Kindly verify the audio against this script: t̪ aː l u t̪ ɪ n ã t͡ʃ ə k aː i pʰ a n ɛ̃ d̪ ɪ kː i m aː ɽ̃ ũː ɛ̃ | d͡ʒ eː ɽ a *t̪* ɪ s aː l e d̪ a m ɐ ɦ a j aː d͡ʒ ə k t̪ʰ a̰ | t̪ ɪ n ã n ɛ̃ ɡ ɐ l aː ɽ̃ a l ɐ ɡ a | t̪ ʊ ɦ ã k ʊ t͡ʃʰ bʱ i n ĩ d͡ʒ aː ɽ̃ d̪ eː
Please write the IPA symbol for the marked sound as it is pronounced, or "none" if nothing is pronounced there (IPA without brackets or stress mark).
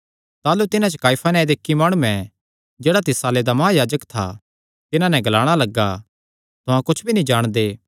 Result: t̪